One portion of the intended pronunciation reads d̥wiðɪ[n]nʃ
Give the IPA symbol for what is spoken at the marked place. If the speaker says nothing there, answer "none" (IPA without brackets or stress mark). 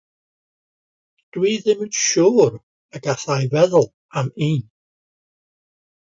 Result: m